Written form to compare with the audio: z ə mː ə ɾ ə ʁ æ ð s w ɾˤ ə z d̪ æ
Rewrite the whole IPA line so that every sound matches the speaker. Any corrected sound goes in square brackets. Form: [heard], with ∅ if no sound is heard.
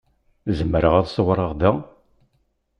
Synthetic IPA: z ə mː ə ɾ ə ʁ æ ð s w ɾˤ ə [ʁ] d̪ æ